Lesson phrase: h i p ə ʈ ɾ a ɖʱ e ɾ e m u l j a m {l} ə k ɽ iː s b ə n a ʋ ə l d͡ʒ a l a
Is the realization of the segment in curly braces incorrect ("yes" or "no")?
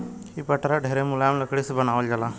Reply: no